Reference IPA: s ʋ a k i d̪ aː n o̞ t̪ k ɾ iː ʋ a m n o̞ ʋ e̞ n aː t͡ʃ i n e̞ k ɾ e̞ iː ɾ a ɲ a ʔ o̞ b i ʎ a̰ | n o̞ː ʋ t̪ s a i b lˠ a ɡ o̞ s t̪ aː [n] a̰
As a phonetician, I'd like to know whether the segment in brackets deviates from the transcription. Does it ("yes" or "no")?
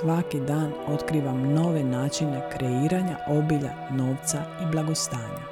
yes